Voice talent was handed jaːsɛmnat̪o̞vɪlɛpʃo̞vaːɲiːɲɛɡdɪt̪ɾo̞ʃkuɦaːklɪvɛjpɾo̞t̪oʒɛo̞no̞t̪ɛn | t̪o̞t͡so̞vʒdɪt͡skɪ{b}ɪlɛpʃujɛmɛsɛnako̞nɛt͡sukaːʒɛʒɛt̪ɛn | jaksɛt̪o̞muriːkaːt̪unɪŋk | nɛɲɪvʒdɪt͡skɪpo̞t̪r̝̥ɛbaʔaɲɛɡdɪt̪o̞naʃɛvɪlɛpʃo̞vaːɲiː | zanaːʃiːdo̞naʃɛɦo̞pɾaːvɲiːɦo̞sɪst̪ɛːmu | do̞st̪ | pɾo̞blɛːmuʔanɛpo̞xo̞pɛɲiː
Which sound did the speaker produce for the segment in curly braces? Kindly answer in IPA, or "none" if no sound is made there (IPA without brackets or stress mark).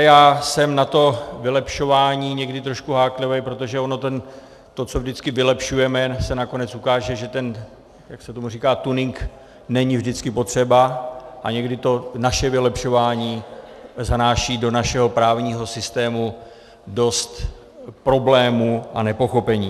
v